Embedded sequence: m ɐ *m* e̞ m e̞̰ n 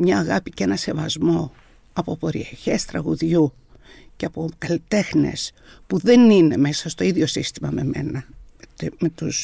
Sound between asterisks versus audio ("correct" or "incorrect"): correct